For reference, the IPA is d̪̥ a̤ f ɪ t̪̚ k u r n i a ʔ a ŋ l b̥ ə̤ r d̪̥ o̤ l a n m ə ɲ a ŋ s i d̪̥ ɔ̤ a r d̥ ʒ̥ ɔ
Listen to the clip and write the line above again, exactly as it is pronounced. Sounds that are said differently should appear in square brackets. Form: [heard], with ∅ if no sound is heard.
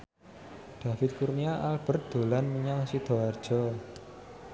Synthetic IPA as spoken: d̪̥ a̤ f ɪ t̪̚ k u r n i a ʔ a [∅] l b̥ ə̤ r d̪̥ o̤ l a n m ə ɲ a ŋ s i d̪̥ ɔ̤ a r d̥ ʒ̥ ɔ